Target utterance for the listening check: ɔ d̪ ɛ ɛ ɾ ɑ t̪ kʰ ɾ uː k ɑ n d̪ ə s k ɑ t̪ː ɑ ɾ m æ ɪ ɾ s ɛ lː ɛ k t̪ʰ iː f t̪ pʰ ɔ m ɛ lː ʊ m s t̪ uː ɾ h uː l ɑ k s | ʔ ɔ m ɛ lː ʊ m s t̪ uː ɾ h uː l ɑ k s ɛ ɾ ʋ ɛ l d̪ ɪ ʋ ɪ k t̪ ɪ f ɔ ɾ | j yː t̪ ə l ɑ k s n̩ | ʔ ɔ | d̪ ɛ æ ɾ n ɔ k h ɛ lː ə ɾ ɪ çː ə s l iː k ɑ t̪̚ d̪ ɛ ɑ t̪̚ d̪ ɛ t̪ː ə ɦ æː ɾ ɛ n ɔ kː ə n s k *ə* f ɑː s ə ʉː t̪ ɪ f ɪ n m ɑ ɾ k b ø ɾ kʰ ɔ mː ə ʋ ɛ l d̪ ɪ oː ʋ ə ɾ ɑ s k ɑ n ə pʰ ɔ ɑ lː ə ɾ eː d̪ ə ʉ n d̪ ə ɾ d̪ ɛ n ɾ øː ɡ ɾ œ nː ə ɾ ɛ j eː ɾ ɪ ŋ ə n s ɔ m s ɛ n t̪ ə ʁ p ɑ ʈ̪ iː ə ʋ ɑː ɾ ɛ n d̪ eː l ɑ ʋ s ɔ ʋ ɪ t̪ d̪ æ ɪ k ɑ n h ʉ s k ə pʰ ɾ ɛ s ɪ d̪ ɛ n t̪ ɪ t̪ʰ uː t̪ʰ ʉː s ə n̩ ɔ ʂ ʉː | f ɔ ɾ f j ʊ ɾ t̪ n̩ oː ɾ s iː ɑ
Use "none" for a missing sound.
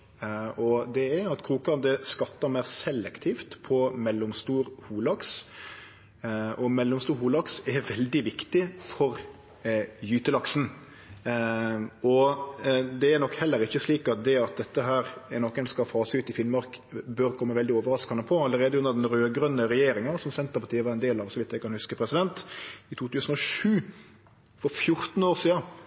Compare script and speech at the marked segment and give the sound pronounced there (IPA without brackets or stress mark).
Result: ɑ